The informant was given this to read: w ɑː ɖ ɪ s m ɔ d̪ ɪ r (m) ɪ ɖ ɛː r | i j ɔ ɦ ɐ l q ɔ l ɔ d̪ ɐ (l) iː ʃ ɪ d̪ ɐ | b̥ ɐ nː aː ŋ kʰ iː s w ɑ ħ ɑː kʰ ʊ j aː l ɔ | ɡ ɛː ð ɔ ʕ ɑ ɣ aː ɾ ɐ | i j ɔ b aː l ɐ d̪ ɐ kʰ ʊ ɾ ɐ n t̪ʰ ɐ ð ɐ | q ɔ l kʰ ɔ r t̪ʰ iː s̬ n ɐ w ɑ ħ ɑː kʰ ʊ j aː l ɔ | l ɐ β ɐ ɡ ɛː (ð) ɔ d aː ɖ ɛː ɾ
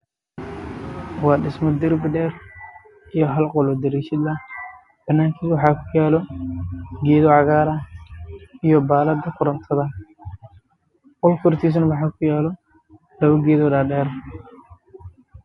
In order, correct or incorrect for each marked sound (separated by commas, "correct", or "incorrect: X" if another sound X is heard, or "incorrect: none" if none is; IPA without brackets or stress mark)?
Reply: incorrect: b, incorrect: ɾ, correct